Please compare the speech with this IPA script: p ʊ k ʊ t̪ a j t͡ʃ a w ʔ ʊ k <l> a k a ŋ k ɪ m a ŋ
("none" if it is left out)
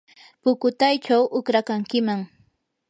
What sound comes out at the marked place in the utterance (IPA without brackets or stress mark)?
ɾ